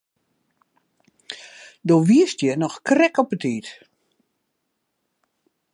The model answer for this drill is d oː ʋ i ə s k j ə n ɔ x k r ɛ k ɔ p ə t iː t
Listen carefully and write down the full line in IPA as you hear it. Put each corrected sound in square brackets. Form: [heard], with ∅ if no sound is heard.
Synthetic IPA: d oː ʋ i ə s [t] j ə n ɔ x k r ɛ k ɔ p ə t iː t